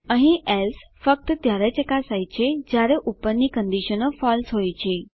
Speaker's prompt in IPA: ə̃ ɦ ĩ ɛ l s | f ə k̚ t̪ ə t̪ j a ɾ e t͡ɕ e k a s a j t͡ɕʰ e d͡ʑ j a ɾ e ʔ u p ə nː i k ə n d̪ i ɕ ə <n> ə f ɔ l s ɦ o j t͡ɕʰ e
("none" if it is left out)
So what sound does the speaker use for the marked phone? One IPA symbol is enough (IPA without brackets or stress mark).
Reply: n